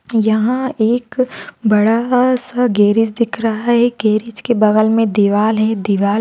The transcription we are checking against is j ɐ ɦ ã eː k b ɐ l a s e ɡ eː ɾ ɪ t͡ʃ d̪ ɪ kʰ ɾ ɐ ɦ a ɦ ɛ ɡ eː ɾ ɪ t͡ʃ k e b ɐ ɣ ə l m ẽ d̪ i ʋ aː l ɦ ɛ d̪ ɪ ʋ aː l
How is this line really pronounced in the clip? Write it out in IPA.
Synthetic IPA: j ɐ ɦ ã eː k b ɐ ɽ a s a ɡ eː ɾ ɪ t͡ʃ d̪ ɪ kʰ ɾ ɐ ɦ a ɦ ɛ ɡ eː ɾ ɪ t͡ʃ k e b ɐ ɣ ə l m ẽ d̪ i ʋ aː l ɦ ɛ d̪ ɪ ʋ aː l